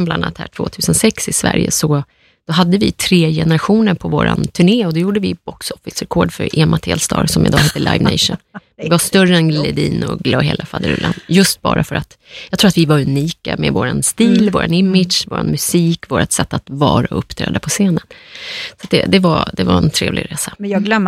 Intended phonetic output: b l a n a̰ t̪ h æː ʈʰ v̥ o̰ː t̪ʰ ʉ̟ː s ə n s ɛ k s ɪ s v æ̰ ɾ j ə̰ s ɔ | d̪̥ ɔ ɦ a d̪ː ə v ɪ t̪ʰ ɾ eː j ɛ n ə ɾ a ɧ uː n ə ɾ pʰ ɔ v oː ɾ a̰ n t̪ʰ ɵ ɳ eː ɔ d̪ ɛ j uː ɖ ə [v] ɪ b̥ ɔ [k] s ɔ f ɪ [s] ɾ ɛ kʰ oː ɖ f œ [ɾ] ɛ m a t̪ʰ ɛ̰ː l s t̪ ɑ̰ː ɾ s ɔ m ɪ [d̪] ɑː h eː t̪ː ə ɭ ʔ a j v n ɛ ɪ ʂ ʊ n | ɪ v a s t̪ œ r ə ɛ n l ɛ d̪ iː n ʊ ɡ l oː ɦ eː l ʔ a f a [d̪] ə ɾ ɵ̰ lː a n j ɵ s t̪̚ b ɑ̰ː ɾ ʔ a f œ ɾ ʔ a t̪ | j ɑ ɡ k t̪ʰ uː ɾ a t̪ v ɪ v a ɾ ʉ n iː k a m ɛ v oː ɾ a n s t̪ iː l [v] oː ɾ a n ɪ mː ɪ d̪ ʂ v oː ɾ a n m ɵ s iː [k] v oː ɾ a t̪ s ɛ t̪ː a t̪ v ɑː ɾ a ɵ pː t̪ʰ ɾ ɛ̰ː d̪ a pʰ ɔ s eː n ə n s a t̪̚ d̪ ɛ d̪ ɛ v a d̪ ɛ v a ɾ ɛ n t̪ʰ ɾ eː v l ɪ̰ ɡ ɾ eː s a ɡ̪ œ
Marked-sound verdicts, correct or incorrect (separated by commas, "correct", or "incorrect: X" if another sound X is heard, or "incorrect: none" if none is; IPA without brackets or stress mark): correct, correct, correct, correct, correct, correct, correct, correct